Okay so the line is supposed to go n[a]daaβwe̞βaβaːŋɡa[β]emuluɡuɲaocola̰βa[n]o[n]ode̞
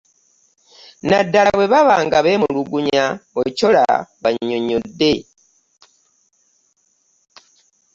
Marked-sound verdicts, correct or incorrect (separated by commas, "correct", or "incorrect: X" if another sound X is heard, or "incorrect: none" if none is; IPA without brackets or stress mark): correct, correct, incorrect: ɲ, incorrect: ɲ